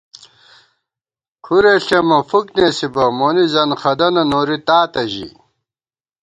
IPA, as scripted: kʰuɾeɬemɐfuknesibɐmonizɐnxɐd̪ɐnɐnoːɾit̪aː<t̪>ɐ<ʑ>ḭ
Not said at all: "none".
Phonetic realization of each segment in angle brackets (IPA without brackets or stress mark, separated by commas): t̪, ʑ